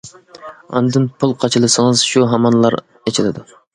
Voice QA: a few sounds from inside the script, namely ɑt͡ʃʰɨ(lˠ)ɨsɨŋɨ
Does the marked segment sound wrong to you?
no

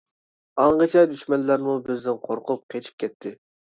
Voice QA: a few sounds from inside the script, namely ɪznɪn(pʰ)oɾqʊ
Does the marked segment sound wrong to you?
yes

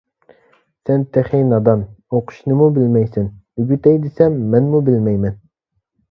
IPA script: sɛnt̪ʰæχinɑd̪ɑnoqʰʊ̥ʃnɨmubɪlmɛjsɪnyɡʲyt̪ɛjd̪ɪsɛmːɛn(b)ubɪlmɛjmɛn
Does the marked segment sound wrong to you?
yes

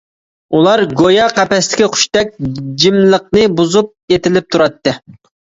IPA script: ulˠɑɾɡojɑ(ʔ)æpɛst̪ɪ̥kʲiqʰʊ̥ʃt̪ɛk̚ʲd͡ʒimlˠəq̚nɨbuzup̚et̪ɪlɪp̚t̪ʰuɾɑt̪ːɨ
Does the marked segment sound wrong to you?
yes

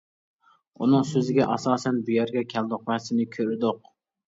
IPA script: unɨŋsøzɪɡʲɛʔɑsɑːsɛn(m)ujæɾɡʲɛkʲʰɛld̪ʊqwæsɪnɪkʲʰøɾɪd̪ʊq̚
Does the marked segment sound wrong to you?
yes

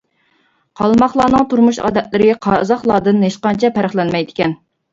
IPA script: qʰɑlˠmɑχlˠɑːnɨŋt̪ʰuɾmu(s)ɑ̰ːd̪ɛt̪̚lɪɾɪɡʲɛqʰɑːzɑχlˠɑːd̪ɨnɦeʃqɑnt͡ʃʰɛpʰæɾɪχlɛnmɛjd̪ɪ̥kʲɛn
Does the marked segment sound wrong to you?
yes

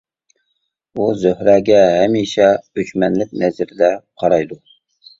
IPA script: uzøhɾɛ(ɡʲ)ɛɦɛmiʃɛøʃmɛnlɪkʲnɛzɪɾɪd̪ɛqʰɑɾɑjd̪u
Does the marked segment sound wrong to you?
no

